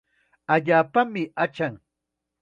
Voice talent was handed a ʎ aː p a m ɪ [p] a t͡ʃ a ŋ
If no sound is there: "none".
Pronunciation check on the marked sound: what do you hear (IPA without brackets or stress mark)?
none